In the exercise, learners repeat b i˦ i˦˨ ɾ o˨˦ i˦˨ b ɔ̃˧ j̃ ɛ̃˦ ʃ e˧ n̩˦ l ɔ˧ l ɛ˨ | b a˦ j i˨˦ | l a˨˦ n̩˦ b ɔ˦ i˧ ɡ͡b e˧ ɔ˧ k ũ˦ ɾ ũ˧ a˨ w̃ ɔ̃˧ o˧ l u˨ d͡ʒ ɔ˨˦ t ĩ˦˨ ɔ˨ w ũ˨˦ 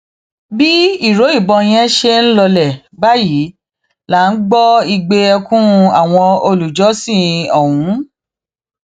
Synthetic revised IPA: b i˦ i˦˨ ɾ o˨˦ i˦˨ b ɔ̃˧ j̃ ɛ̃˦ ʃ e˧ n̩˦ l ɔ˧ l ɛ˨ | b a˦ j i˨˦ | l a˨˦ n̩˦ ɡ͡b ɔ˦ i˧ ɡ͡b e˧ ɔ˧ k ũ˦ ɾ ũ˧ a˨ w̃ ɔ̃˧ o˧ l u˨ d͡ʒ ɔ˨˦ s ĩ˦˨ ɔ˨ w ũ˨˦